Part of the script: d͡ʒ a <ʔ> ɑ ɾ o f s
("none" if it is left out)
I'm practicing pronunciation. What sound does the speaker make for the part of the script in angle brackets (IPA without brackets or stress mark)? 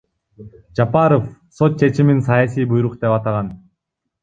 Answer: p